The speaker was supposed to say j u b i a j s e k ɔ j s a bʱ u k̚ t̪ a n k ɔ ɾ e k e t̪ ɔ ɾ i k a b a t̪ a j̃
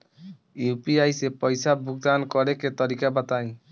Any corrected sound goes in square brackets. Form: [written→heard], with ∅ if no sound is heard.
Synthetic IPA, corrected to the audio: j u [b→p] i a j s e [k→p] ɔ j s a bʱ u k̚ [t̪→d̪] a n k ɔ ɾ e k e t̪ ɔ ɾ i k a b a t̪ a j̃